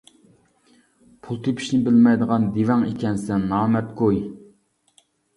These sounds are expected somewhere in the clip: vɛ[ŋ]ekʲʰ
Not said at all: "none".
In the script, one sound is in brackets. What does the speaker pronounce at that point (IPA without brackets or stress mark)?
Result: ŋ